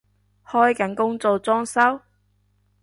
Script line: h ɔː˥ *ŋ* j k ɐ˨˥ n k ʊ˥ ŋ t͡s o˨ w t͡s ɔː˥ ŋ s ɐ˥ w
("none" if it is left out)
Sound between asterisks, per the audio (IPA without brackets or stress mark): none